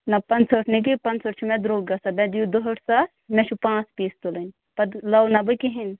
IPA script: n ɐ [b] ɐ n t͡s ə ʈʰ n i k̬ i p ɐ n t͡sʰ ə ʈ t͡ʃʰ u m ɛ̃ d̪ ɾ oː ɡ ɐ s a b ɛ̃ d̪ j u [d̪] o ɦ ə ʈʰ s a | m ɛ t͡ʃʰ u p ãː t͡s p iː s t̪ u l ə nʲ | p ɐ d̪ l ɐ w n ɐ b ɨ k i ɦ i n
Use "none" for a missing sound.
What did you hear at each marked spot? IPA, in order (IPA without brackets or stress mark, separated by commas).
p, d̪